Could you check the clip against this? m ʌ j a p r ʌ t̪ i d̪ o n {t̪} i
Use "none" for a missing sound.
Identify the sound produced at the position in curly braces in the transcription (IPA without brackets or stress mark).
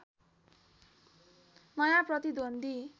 d̪